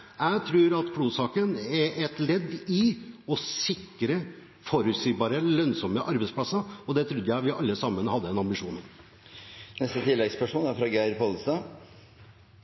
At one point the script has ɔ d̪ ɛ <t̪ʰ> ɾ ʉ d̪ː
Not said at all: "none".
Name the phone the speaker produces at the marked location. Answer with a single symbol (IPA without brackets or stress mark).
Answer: t̪ʰ